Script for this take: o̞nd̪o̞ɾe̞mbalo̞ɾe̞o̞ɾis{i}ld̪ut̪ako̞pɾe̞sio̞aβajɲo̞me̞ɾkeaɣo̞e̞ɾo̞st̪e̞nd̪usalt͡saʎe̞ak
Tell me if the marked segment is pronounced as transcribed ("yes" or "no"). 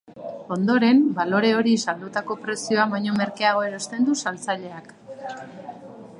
no